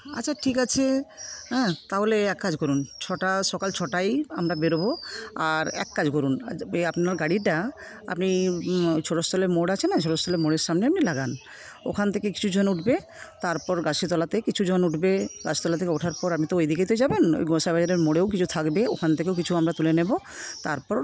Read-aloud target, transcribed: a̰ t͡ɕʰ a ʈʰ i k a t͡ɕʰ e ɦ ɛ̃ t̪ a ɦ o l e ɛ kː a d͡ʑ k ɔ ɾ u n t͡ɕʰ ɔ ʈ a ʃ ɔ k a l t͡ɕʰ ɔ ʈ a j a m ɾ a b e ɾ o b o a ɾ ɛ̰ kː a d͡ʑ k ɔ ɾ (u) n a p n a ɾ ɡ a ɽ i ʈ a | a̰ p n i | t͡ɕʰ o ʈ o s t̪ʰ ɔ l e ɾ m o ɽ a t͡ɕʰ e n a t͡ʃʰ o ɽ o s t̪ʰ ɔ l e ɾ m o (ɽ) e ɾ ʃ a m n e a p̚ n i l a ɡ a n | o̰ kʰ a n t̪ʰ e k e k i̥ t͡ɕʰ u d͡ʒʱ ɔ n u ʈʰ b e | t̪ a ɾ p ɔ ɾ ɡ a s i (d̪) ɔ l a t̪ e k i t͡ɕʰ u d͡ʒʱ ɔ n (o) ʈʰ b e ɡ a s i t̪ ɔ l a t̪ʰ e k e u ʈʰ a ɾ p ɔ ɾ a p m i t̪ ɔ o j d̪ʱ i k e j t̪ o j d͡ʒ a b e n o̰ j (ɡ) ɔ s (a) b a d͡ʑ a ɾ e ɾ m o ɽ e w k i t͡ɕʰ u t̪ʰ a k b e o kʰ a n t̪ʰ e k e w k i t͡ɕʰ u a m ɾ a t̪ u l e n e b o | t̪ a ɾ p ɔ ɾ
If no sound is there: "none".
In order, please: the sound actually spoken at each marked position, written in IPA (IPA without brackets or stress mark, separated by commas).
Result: u, ɽ, t̪, u, ɡ, a